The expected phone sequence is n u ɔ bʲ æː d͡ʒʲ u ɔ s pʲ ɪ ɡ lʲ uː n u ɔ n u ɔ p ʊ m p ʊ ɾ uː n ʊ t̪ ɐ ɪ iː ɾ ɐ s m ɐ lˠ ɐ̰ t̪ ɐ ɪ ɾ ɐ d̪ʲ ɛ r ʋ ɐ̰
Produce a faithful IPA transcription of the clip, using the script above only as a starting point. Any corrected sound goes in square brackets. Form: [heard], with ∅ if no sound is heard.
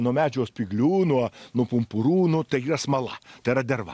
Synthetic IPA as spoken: n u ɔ [mʲ] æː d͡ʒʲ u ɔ s pʲ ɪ ɡ lʲ uː n u ɔ n u ɔ p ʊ m p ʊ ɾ uː n ʊ t̪ ɐ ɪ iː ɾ ɐ s m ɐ lˠ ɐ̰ t̪ ɐ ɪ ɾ ɐ d̪ʲ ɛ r ʋ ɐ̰